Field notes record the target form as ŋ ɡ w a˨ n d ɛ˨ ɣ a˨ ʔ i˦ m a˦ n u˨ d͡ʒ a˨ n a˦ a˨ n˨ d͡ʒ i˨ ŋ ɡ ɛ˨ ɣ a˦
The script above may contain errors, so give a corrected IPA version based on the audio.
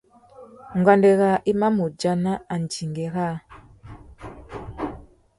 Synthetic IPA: ŋ ɡ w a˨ n d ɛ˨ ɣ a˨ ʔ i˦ m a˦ m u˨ d͡ʒ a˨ n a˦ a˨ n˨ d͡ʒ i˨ ŋ ɡ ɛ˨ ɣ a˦